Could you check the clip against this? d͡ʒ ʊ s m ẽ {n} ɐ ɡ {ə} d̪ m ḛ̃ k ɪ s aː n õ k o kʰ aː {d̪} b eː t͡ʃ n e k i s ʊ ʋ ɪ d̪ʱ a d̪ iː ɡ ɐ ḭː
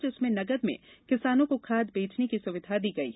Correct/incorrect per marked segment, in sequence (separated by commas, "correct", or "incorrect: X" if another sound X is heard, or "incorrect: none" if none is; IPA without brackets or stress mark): correct, correct, correct